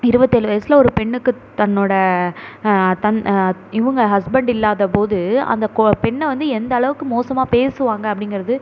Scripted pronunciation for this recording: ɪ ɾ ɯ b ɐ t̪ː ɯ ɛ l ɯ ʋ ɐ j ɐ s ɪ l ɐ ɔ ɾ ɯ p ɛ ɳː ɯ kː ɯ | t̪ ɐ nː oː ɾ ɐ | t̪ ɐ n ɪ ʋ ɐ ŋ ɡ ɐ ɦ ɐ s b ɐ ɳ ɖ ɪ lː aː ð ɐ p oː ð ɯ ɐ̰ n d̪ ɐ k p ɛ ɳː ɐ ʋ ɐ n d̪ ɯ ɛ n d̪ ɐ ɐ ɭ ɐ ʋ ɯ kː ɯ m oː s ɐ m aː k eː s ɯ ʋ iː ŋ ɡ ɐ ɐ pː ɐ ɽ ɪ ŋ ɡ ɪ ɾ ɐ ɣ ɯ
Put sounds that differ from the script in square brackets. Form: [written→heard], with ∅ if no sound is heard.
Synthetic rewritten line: ɪ ɾ ɯ b ɐ t̪ː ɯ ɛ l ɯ ʋ ɐ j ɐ s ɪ l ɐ ɔ ɾ ɯ p ɛ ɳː ɯ kː ɯ | t̪ ɐ nː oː [ɾ→ɽ] ɐ | t̪ ɐ n ɪ ʋ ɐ ŋ ɡ ɐ ɦ ɐ s b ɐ ɳ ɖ ɪ lː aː ð ɐ p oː ð ɯ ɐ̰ n d̪ ɐ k p ɛ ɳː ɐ ʋ ɐ n d̪ ɯ ɛ n d̪ ɐ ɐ ɭ ɐ ʋ ɯ kː ɯ m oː s ɐ m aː [k→p] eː s ɯ ʋ [iː→aː] ŋ ɡ ɐ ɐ pː ɐ ɽ ɪ ŋ ɡ ɪ ɾ ɐ [ɣ→ð] ɯ